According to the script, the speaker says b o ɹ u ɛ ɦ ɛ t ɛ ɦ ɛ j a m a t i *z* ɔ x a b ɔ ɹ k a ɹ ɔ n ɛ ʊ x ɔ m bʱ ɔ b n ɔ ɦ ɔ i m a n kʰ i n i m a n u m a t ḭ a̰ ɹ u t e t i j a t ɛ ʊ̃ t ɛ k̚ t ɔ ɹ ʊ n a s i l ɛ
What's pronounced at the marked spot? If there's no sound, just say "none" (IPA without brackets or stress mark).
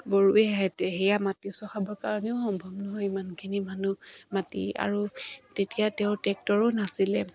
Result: s